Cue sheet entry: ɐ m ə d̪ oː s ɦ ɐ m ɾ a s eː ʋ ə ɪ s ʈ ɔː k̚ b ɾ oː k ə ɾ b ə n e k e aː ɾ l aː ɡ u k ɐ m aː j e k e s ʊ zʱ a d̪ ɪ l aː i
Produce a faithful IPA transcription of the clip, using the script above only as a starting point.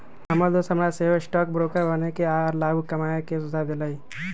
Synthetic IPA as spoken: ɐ m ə d̪ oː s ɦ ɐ m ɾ a s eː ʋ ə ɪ s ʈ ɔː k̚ b ɾ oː k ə ɾ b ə n e k e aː ɾ l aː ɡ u k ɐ m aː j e k e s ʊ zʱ a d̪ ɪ l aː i